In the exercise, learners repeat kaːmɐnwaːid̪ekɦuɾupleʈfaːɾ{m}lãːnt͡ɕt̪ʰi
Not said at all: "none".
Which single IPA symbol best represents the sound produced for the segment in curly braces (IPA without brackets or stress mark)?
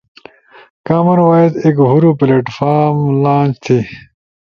m